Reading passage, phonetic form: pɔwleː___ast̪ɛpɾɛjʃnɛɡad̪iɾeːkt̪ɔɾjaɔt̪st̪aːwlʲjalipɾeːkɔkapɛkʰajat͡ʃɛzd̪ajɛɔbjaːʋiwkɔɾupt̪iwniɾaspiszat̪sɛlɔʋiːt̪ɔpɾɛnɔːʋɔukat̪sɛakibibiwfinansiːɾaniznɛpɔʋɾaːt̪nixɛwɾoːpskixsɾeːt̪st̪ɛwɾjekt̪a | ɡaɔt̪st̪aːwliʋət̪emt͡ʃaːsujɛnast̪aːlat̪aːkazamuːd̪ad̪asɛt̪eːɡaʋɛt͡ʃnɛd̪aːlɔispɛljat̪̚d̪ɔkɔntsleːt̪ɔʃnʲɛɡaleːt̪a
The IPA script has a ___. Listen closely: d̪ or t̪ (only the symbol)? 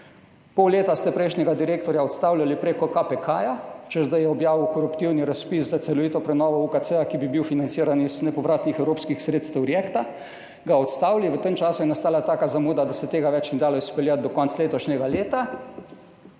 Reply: t̪